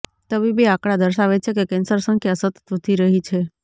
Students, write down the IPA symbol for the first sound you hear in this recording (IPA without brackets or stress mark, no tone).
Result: t̪